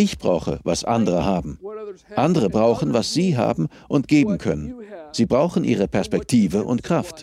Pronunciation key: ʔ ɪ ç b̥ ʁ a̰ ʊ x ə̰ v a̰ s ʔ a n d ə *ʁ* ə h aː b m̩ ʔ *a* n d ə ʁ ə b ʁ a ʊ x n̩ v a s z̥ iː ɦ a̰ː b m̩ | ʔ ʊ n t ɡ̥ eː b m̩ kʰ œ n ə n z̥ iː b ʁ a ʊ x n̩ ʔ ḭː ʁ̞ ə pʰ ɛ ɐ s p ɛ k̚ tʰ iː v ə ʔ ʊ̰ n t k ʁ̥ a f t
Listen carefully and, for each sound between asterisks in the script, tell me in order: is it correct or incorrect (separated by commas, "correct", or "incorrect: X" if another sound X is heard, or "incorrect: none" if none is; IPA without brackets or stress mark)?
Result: correct, correct